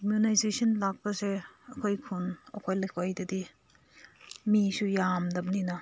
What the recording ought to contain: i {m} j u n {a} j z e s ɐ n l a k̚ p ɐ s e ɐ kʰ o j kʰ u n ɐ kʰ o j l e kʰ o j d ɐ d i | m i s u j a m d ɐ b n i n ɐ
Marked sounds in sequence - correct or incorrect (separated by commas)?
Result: correct, correct